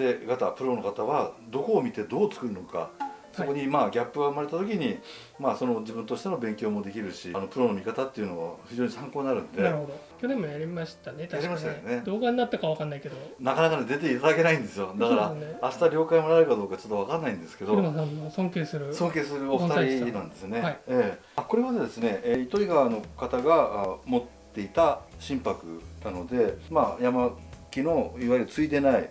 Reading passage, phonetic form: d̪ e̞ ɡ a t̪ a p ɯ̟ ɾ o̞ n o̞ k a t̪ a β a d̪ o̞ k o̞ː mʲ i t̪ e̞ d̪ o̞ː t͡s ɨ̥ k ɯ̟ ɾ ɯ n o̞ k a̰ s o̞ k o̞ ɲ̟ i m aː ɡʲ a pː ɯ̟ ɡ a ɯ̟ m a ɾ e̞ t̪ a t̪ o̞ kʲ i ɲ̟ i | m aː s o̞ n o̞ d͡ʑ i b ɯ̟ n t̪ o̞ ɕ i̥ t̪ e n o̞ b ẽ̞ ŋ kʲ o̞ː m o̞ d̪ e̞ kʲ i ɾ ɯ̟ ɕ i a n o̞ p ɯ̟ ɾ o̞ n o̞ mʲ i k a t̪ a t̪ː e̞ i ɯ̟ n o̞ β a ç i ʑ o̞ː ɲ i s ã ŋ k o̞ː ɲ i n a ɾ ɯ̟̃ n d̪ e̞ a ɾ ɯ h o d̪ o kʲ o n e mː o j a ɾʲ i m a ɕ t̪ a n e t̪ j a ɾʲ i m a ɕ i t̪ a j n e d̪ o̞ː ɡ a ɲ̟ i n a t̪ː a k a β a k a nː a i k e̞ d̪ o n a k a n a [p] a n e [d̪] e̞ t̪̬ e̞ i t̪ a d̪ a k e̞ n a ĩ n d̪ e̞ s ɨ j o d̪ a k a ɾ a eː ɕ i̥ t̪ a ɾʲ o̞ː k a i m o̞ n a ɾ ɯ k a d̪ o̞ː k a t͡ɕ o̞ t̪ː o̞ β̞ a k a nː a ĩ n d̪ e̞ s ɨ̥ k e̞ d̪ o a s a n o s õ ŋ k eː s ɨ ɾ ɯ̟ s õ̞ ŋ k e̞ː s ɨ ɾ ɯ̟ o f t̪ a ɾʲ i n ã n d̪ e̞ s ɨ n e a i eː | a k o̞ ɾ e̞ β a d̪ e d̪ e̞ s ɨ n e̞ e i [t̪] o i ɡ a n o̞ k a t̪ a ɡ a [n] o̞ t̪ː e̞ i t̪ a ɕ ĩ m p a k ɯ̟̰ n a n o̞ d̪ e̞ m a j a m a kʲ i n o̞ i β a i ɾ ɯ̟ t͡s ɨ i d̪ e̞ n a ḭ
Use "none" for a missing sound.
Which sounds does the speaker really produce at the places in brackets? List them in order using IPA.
k, d̪, t̪, m

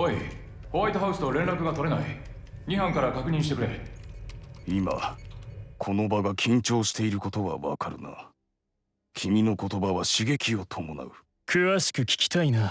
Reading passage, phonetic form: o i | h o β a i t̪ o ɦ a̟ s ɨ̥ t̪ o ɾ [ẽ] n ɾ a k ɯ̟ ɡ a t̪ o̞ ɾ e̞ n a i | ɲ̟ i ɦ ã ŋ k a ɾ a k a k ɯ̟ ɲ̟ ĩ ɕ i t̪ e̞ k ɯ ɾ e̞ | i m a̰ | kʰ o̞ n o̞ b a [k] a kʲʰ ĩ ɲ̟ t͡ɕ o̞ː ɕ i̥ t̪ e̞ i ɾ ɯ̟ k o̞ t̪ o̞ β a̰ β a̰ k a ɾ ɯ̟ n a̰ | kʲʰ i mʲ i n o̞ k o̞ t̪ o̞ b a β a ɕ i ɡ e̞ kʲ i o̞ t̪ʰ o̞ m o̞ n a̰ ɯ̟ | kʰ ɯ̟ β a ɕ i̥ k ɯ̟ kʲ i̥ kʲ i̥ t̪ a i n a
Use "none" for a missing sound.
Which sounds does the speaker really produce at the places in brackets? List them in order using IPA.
ẽ, ɡ

